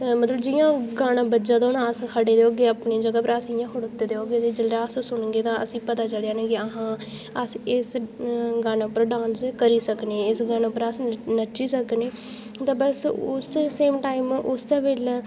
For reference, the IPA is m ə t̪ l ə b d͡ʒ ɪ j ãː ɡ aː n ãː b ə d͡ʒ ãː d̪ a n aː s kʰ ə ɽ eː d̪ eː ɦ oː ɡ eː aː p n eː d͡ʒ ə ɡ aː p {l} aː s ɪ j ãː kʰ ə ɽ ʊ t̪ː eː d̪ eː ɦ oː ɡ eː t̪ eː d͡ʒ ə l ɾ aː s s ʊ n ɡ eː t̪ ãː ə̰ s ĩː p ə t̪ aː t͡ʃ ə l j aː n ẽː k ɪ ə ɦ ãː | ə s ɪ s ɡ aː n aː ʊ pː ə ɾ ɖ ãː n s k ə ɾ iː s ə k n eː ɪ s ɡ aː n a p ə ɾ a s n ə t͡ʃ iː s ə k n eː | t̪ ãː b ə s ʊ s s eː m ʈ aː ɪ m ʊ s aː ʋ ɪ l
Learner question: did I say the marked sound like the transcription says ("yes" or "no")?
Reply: no